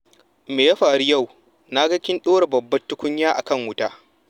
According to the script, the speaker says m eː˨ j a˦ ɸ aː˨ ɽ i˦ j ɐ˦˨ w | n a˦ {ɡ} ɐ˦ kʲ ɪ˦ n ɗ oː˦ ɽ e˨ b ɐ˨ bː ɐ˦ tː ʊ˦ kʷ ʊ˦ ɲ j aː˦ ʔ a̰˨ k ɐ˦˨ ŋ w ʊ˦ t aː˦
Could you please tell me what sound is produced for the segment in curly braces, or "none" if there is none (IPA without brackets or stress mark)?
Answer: ɡ